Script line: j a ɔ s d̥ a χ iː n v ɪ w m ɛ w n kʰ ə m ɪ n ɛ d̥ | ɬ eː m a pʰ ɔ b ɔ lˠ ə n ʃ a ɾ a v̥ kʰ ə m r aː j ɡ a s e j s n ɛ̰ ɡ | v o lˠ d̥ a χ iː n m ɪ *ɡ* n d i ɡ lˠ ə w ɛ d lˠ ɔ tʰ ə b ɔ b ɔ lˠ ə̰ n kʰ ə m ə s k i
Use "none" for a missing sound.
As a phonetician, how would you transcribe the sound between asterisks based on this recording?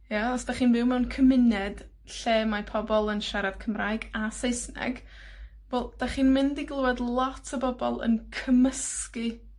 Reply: none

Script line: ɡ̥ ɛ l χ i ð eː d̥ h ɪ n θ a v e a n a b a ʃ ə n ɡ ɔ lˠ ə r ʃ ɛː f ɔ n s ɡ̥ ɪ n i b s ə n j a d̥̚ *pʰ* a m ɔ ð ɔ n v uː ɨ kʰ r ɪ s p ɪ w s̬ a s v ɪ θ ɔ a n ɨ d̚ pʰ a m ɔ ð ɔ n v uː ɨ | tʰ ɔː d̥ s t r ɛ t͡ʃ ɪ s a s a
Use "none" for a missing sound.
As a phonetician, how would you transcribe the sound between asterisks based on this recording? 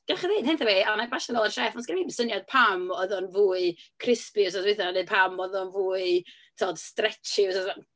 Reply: pʰ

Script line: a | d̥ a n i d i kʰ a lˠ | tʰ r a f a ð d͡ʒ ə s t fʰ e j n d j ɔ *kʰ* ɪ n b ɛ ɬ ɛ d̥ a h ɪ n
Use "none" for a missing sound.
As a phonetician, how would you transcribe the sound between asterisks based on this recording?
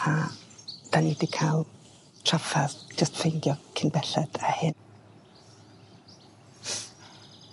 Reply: kʰ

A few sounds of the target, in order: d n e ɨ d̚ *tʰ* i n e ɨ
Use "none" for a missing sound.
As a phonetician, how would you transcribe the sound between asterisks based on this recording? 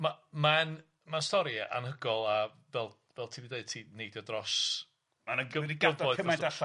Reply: tʰ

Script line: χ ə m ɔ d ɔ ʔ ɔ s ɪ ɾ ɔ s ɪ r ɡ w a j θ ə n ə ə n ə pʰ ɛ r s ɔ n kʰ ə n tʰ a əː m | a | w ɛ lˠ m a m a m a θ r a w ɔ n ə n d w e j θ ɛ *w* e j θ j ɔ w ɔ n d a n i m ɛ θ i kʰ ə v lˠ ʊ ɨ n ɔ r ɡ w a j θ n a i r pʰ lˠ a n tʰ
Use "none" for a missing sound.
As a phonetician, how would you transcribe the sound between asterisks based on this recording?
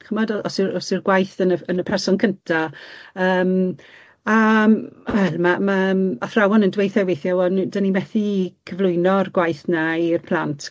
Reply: w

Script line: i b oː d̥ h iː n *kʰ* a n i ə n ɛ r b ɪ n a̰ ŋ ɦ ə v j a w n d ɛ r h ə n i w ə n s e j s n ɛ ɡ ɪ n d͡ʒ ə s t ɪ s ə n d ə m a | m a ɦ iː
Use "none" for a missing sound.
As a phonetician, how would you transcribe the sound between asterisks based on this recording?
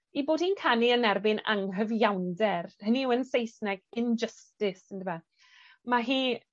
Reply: kʰ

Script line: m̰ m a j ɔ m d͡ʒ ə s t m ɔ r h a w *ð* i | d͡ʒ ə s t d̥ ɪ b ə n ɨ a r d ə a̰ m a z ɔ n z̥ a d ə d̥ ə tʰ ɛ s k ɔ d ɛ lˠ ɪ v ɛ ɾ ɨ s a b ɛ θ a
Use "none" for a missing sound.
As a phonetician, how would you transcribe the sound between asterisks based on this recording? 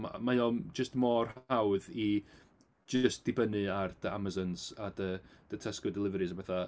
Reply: ð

